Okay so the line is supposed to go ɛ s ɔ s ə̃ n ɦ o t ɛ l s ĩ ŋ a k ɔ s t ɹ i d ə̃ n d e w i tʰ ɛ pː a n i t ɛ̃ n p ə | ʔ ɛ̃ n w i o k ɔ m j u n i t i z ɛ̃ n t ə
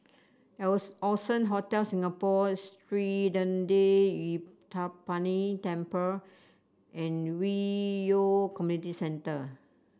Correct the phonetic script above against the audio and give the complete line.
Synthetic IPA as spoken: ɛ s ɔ s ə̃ n ɦ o t ɛ l s ĩ ŋ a p ɔ s t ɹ i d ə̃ n d e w i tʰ a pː a n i t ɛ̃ m p ə | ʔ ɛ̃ n w i o k ɔ m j u n i t i s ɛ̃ n t ə